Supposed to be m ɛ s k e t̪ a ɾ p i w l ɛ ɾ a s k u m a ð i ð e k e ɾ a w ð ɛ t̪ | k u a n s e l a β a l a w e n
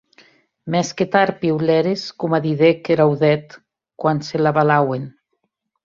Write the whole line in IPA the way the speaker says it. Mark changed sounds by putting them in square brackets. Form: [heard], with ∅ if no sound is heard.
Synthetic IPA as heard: m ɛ s k e t̪ a ɾ p i w l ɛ ɾ [e] s k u m a ð i ð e k e ɾ a w ð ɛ t̪ | k [w] a n s e l a β a l a w e n